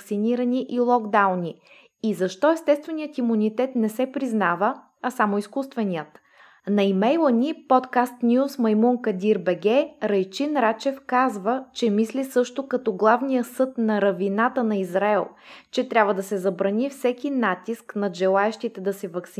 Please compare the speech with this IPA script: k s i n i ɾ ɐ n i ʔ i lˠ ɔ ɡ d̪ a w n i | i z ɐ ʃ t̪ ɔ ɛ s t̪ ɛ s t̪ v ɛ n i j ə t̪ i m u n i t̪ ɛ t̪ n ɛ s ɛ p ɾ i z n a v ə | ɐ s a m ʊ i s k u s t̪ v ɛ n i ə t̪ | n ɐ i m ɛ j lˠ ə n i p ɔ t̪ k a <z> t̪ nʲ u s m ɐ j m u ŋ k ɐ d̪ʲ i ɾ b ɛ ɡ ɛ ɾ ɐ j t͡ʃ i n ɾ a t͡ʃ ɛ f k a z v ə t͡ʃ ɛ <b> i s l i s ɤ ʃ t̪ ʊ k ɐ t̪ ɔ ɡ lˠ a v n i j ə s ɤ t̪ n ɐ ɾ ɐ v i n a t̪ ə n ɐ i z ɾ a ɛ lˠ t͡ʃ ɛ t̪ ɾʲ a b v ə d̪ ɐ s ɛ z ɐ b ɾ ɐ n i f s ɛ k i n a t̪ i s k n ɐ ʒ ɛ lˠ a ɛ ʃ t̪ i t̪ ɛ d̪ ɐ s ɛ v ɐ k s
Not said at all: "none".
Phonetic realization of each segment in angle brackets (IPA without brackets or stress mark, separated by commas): s, m